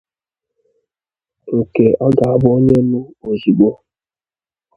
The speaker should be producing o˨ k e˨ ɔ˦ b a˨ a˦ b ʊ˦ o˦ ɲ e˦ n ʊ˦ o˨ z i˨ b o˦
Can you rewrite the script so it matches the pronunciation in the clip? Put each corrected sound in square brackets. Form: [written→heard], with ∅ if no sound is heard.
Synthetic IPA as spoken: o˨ k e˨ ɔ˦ [b→ɡ] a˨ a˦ b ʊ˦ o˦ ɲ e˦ n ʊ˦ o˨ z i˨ [b→ɡ͡b] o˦